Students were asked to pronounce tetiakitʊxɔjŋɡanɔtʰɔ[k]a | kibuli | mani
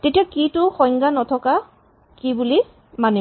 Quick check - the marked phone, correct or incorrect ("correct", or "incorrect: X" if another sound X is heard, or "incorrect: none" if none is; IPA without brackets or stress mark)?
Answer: correct